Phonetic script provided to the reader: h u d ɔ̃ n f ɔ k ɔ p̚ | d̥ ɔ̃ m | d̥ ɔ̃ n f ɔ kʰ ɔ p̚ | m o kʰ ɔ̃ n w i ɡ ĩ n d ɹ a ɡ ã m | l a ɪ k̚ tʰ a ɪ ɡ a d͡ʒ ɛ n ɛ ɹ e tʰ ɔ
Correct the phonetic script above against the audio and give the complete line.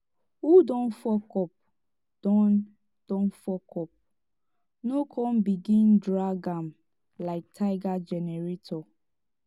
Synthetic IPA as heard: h u d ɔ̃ n f ɔ k ɔ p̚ | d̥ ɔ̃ n | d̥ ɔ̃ n f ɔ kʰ ɔ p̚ | n o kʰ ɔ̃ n b i ɡ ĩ n d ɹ a ɡ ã m | l a ɪ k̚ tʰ a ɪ ɡ a d͡ʒ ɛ n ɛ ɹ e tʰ ɔ